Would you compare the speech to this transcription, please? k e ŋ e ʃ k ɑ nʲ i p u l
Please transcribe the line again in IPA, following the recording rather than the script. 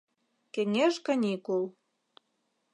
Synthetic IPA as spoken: k e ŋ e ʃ k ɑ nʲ i k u l

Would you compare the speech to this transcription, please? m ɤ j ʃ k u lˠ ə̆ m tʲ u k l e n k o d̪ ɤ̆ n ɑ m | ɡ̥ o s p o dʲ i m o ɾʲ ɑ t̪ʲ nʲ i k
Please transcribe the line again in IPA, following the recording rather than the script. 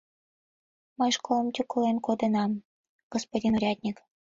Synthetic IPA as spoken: m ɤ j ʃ k o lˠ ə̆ m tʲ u k l e n k o d̪ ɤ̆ n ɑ m | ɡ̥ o s p o dʲ i n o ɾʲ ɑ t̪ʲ nʲ i k

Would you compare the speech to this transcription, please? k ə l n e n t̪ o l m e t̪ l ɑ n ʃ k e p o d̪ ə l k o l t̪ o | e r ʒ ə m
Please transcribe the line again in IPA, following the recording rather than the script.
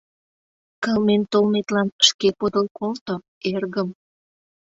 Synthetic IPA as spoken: k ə l m e n t̪ o l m e t̪ l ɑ n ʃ k e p o d̪ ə l k o l t̪ o | e r ɣ ə m

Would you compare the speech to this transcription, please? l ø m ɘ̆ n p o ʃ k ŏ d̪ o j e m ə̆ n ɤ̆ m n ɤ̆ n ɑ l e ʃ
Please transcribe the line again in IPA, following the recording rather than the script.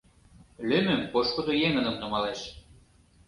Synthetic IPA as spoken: l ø m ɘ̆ m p o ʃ k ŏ d̪ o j e ŋ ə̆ n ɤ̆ m n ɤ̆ m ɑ l e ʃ

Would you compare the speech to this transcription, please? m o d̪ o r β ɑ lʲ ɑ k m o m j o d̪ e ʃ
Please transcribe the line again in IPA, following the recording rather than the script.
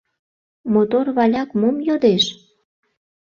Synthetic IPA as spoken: m o t̪ o r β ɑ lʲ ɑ k m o m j o d̪ e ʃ

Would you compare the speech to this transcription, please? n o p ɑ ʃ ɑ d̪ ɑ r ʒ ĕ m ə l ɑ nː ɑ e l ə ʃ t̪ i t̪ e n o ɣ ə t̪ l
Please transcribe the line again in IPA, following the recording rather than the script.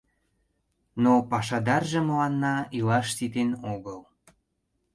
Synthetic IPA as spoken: n o p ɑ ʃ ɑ d̪ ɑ r ʒ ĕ m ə l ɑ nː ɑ i l ɑ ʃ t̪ i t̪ e n o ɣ ə l

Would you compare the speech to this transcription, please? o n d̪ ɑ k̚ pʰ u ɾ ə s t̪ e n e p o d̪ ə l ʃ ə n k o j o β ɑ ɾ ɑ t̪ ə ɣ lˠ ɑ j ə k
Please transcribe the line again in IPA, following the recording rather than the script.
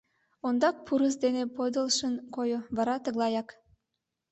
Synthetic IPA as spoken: o n d̪ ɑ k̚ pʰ u ɾ ə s d̪ e n e p o d̪ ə l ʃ ə n k o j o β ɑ ɾ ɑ t̪ ə ɣ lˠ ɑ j ɑ k

